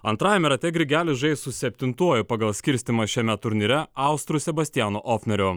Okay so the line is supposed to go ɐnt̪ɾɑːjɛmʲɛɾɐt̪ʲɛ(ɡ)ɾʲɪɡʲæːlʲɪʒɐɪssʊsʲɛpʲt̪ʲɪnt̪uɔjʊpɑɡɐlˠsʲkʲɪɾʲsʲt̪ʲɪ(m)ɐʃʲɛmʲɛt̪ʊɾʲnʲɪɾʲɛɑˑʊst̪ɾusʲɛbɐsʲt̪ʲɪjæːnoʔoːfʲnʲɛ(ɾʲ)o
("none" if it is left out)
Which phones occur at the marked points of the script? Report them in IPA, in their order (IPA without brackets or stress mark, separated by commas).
ɡ, m, ɾʲ